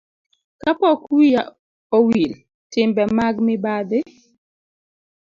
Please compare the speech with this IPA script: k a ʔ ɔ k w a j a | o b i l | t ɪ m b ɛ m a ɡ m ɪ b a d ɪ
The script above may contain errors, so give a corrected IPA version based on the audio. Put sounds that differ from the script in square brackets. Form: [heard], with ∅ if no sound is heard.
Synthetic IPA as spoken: k a [p] ɔ k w [i] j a | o [w] i l | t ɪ m b ɛ m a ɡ m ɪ b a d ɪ